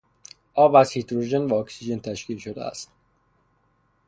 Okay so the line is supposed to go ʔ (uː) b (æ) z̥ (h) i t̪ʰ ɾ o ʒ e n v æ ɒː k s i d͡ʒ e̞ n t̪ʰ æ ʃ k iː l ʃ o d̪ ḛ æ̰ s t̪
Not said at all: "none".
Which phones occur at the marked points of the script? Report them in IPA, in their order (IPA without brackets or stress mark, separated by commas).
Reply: ɒː, æ, h